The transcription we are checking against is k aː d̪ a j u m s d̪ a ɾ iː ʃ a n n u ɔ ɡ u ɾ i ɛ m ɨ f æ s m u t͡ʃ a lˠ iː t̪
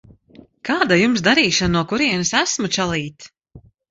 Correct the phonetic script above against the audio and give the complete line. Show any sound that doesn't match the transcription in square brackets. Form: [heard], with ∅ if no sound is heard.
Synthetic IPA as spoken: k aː d̪ a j u m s d̪ a ɾ iː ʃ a n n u ɔ [k] u ɾ i ɛ [n] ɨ [s] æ s m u t͡ʃ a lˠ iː t̪